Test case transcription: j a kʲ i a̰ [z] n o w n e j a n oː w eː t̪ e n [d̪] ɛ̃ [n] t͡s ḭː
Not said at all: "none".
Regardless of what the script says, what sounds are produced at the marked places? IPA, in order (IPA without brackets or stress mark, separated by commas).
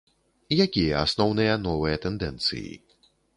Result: s, d̪, n